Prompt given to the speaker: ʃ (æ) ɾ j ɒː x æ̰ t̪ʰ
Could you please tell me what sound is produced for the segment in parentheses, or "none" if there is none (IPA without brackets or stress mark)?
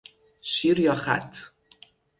i